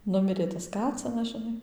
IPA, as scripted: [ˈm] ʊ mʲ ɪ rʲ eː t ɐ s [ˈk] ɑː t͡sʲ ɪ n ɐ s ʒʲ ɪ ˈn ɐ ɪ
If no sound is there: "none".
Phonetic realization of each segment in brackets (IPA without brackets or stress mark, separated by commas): n, k